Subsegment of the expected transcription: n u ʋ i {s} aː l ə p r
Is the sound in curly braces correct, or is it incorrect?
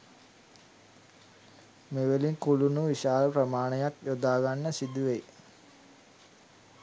incorrect